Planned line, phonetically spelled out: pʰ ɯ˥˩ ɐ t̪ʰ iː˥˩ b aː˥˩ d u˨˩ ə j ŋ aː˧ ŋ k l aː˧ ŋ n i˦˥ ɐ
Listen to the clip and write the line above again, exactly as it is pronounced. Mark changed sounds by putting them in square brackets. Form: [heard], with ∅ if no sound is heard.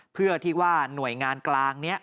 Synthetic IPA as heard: pʰ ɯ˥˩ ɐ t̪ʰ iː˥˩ [w] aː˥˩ [n] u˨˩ ə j ŋ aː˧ [n] k l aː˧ ŋ n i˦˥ ɐ